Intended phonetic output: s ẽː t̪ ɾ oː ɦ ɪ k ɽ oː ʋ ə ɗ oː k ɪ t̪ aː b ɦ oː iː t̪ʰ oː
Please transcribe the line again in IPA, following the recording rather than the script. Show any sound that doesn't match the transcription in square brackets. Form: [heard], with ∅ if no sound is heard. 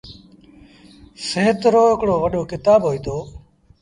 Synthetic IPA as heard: s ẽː t̪ ɾ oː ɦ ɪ k ɽ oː ʋ ə ɗ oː k ɪ t̪ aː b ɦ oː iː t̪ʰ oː